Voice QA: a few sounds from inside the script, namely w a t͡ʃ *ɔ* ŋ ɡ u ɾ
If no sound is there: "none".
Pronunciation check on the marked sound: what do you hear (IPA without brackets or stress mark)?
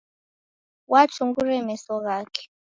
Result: u